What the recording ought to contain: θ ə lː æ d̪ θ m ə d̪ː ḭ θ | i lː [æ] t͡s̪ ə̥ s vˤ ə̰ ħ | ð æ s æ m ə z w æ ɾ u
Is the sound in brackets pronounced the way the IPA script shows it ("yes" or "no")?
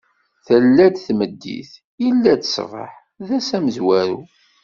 yes